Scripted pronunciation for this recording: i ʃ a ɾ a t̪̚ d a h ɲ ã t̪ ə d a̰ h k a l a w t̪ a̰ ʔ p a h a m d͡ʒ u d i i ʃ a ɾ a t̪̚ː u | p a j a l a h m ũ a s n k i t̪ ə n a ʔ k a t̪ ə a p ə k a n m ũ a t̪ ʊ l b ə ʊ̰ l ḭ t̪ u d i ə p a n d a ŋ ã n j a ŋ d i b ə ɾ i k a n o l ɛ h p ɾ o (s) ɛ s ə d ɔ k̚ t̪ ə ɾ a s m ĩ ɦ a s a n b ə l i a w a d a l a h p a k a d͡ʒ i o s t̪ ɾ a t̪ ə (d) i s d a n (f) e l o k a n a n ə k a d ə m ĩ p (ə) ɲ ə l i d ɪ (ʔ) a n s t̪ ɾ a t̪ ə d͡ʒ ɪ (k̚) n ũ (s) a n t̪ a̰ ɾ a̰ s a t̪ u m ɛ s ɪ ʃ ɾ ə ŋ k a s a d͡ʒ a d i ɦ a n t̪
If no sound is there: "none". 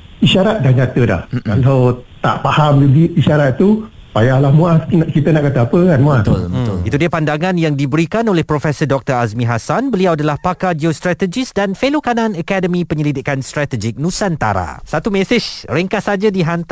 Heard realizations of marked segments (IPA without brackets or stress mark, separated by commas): f, d͡ʒ, f, ə, k, k̚, s